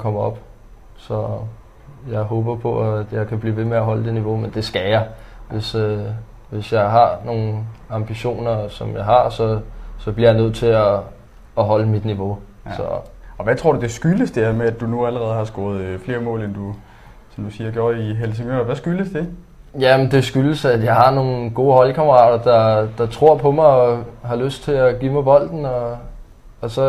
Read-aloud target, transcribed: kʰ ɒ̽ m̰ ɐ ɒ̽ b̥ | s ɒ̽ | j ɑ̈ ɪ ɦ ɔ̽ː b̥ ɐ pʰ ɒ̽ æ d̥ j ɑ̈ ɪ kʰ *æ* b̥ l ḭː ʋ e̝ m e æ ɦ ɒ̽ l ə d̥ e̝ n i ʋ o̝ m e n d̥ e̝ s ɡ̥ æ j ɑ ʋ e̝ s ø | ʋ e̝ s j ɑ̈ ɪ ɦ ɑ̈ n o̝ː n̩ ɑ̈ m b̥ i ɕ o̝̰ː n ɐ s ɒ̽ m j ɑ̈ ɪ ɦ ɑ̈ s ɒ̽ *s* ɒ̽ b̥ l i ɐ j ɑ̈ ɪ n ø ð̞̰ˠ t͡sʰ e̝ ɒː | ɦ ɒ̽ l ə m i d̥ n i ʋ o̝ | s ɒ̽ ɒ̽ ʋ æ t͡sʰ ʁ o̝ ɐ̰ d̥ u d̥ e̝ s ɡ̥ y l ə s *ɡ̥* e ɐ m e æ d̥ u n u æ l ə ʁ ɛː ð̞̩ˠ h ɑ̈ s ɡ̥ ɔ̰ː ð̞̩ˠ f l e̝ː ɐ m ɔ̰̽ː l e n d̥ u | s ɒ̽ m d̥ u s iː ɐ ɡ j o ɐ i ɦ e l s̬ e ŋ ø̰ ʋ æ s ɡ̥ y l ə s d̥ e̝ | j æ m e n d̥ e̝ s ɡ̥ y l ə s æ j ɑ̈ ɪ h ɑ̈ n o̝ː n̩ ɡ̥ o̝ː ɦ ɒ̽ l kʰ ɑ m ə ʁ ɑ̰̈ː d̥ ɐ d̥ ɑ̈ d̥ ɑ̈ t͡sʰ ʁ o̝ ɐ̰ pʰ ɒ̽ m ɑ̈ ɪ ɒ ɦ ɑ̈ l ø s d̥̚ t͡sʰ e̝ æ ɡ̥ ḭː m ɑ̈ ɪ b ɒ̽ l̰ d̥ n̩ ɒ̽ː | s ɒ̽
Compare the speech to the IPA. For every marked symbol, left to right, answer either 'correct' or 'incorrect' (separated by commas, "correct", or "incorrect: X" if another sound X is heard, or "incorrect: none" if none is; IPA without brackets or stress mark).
correct, correct, incorrect: d̥